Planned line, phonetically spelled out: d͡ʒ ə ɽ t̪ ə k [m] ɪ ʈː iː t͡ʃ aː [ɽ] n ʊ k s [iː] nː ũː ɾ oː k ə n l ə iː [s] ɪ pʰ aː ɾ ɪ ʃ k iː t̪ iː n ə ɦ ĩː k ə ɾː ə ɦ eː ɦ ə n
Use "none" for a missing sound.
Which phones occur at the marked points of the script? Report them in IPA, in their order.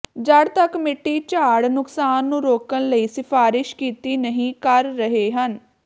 m, ɽ, aː, s

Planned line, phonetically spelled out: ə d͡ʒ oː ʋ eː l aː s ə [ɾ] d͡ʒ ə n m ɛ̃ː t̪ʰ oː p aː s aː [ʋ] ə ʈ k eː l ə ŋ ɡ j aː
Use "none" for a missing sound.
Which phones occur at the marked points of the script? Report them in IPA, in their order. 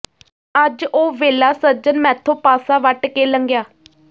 ɾ, ʋ

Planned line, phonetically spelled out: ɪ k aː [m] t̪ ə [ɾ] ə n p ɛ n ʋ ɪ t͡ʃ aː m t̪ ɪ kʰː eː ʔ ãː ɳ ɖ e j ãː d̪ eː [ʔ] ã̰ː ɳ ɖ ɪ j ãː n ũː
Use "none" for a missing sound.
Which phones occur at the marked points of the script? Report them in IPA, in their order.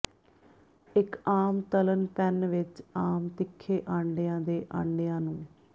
m, l, ʔ

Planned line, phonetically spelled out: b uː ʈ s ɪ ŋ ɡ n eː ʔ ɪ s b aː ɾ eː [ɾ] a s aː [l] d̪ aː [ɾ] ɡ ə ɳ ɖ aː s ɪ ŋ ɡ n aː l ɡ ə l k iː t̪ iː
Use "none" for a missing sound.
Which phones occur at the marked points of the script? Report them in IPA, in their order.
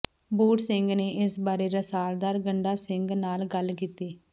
ɾ, l, ɾ

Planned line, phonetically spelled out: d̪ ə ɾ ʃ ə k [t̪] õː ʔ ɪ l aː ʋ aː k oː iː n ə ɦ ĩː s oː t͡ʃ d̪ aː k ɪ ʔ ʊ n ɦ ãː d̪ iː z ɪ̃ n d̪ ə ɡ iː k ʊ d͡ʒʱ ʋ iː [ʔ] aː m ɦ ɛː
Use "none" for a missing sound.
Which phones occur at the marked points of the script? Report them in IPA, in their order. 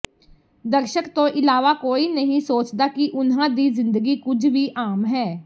t̪, ʔ

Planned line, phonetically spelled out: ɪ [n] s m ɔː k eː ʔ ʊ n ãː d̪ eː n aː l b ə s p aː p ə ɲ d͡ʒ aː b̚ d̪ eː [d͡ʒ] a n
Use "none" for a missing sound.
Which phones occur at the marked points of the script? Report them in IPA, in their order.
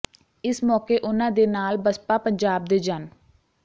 none, d͡ʒ

